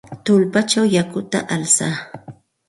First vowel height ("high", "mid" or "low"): high